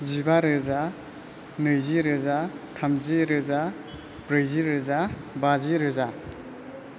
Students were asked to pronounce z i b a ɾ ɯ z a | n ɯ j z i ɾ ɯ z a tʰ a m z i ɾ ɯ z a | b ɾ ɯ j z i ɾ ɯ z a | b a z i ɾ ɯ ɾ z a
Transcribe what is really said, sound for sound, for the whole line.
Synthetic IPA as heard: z i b a ɾ ɯ z a | n ɯ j z i ɾ ɯ z a tʰ a m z i ɾ ɯ z a | b ɾ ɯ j z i ɾ ɯ z a | b a z i ɾ ɯ z a